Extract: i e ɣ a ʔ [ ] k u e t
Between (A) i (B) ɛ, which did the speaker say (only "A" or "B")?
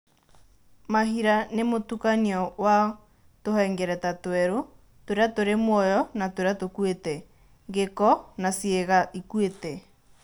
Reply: A